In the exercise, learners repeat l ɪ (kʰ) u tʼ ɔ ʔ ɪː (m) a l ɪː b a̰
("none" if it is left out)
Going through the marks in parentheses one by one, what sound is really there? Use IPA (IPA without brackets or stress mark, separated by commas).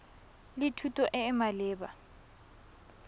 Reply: tʰ, m